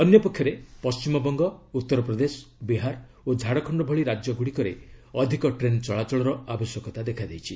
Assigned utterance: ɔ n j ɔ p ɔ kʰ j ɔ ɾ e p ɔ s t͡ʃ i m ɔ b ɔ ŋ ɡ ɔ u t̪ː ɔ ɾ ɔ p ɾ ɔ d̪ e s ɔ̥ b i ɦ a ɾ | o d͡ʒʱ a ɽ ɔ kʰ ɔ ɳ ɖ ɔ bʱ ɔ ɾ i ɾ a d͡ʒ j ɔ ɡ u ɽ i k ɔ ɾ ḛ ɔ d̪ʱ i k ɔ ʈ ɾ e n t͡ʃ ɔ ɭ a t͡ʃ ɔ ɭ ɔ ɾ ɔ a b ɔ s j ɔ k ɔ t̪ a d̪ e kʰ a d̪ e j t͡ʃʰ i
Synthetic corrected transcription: ɔ n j ɔ p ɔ kʰ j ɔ ɾ e p ɔ s t͡ʃ i m ɔ b ɔ ŋ ɡ ɔ u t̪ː ɔ ɾ ɔ p ɾ ɔ d̪ e s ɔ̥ b i ɦ a ɾ | o d͡ʒʱ a ɽ ɔ kʰ ɔ ɳ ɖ ɔ bʱ ɔ ɭ i ɾ a d͡ʒ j ɔ ɡ u ɽ i k ɔ ɾ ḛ ɔ d̪ʱ i k ɔ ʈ ɾ e n t͡ʃ ɔ ɭ a t͡ʃ ɔ ɭ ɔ ɾ ɔ a b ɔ s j ɔ k ɔ t̪ a d̪ e kʰ a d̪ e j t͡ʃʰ i